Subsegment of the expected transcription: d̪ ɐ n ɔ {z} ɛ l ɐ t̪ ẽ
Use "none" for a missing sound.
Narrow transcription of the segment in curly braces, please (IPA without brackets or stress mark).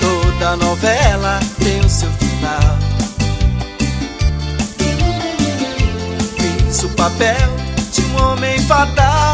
v